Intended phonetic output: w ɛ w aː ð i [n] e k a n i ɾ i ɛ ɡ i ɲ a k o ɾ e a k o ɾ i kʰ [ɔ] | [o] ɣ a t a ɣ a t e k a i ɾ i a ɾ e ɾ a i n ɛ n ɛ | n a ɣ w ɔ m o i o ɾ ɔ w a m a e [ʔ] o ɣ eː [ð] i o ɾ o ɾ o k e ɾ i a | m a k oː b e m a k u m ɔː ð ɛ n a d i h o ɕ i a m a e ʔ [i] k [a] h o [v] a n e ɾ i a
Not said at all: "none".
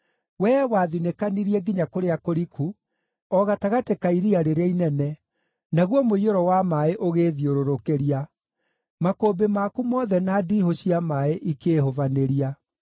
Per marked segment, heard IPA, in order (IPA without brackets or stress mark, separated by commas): n, u, ɔ, ʔ, ð, i, e, v